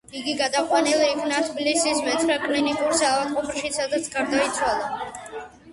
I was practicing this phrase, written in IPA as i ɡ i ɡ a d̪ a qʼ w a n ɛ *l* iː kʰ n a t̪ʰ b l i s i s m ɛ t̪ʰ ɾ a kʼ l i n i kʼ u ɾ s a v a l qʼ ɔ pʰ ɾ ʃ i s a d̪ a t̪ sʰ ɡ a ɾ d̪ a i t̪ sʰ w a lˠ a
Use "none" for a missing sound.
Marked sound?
l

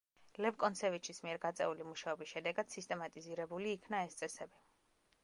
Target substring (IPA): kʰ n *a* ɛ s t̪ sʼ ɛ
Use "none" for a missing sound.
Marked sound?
a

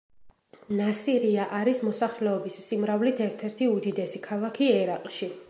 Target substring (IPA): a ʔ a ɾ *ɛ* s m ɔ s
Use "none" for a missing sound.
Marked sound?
i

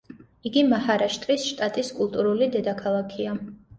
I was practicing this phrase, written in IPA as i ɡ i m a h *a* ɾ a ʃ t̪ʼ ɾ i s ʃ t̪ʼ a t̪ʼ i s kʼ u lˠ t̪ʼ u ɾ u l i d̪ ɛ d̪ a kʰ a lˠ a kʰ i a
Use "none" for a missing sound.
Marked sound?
a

